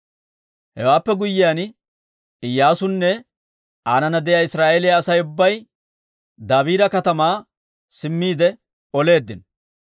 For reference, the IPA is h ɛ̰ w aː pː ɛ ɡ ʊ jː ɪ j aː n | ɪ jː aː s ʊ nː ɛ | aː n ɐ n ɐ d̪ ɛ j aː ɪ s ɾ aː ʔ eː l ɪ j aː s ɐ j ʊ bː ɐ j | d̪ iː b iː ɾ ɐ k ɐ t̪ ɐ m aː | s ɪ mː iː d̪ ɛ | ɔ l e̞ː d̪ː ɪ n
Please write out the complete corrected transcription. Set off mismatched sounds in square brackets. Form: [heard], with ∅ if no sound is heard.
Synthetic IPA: h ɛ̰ w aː pː ɛ ɡ ʊ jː ɪ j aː n | ɪ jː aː s ʊ nː ɛ | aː n ɐ n ɐ d̪ ɛ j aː ɪ s ɾ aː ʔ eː l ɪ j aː s ɐ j ʊ bː ɐ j | d̪ [aː] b iː ɾ ɐ k ɐ t̪ ɐ m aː | s ɪ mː iː d̪ ɛ | ɔ l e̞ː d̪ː ɪ n